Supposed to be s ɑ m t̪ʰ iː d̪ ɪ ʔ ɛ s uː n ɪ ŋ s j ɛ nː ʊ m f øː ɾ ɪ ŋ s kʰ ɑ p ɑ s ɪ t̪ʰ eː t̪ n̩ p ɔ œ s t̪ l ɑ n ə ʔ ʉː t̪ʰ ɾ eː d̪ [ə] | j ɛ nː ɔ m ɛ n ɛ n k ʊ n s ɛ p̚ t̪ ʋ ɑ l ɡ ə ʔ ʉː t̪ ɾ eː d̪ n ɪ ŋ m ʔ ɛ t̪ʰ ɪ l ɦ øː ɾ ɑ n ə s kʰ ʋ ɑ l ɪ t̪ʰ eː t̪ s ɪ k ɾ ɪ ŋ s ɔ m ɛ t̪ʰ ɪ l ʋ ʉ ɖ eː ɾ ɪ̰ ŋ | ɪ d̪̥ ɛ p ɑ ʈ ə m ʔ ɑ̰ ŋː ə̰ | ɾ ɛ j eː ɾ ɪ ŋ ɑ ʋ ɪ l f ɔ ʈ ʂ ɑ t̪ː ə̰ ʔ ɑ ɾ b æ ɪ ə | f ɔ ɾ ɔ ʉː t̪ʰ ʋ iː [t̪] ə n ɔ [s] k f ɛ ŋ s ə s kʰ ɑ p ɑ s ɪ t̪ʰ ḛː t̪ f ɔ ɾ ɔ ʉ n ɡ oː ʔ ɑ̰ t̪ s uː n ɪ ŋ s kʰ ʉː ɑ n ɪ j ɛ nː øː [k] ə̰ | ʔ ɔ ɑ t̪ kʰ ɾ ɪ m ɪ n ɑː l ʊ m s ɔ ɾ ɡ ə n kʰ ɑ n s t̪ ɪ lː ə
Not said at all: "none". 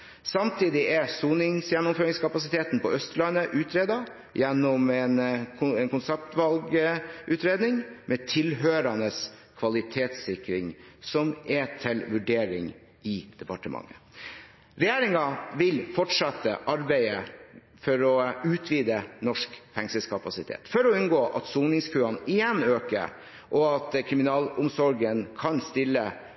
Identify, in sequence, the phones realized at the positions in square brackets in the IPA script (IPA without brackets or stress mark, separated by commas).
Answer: ɑ, d̪, ʂ, k